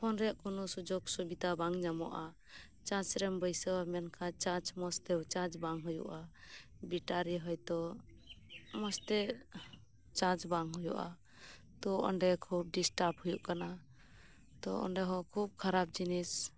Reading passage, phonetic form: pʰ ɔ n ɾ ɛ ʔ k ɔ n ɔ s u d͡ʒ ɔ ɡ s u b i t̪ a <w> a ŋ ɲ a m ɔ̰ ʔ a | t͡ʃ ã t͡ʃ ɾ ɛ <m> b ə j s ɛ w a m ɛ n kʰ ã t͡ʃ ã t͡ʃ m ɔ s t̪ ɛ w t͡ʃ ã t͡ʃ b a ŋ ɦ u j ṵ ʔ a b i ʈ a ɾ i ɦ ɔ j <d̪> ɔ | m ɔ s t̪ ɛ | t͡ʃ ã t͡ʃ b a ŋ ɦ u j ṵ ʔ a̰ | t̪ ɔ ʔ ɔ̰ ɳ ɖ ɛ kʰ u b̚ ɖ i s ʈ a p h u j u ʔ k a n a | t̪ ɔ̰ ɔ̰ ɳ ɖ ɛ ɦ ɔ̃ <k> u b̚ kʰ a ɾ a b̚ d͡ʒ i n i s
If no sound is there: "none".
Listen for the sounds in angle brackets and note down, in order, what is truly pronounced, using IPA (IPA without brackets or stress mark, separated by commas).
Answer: b, m, t̪, kʰ